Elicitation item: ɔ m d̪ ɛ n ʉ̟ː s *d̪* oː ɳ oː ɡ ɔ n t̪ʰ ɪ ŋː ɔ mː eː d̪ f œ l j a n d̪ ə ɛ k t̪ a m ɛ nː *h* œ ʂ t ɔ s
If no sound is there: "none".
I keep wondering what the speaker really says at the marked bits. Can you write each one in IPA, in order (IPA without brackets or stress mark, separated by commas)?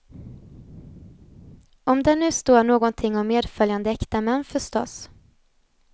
t̪, f